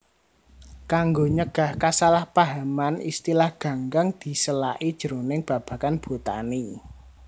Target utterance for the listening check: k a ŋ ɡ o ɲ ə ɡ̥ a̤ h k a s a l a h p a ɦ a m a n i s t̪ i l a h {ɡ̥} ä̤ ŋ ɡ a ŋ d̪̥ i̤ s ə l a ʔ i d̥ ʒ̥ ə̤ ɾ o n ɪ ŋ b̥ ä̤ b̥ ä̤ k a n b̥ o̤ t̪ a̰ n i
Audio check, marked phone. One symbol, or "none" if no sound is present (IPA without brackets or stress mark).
ɡ̥